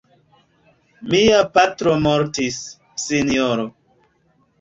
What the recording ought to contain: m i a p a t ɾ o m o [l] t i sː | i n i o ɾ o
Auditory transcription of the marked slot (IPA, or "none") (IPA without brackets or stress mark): ɾ